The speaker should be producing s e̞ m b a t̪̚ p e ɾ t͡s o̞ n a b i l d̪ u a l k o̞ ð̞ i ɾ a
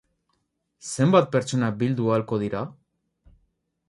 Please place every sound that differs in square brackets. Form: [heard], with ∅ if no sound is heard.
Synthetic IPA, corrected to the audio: s e̞ m b a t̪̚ p e ɾ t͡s o̞ n a b i l d̪ u a l k o̞ ð̞ i ɾ a

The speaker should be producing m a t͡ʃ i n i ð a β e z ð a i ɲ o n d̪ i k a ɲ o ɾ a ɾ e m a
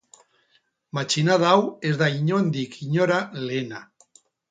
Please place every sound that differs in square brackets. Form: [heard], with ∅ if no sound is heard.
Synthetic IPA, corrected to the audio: m a t͡ʃ i n [a] ð a [w] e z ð a i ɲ o n d̪ i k [i] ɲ o ɾ a [l] e [n] a

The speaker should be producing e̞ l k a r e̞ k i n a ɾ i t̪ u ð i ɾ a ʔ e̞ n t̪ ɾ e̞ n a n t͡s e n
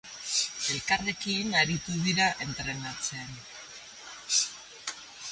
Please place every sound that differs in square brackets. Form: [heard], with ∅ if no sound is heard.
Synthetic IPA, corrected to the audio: e̞ l k a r e̞ k i n a ɾ i t̪ u ð i ɾ a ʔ e̞ n t̪ ɾ e̞ n a [∅] t͡s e n

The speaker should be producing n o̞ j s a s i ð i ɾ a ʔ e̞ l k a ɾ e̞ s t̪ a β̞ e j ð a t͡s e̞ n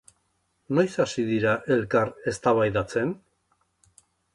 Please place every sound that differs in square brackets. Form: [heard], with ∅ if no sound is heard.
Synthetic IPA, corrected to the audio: n o̞ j s a s i ð i ɾ a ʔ e̞ l k a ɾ e̞ s t̪ a β̞ [a] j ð a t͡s e̞ n

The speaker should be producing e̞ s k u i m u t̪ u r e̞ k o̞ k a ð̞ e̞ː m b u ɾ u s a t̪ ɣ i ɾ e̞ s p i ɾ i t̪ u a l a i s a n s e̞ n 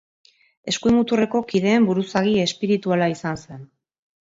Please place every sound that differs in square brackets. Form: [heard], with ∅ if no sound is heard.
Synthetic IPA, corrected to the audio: e̞ s k u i m u t̪ u r e̞ k o̞ k [i] ð̞ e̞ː m b u ɾ u s a [∅] ɣ i [∅] e̞ s p i ɾ i t̪ u a l a i s a n s e̞ n

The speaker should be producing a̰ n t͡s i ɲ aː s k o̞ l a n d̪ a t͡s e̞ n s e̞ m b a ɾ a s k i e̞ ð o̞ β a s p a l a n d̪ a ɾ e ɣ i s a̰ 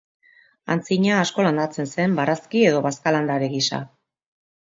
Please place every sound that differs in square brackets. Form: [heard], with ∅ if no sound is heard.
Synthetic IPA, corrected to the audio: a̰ n t͡s i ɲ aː s k o̞ l a n d̪ a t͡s e̞ n s e̞ m b a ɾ a s k i e̞ ð o̞ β a s [k] a l a n d̪ a ɾ e ɣ i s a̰

